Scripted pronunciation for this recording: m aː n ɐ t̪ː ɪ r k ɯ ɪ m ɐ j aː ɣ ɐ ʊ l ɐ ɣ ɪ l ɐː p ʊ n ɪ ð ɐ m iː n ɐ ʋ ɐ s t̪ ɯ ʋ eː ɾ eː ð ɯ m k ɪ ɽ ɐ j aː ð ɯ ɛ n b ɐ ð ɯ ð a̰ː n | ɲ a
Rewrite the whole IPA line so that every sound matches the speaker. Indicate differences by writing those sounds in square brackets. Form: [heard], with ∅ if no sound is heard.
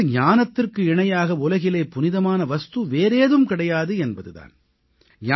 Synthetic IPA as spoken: [ɲ] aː n ɐ t̪ː ɪ r k ɯ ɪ [ɳ] ɐ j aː ɣ ɐ ʊ l ɐ ɣ ɪ l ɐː p ʊ n ɪ ð ɐ m [aː] n ɐ ʋ ɐ s t̪ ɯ ʋ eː ɾ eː ð ɯ m k ɪ ɽ ɐ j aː ð ɯ ɛ n b ɐ ð ɯ ð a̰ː n | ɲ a